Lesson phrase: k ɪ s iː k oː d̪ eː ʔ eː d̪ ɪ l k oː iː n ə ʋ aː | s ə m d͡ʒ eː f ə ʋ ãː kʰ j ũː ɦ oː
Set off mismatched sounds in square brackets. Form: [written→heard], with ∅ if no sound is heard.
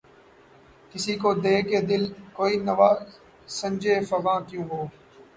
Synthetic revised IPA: k ɪ s iː k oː d̪ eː [ʔ→k] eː d̪ ɪ l k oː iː n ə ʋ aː | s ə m d͡ʒ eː f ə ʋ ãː [kʰ→k] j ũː ɦ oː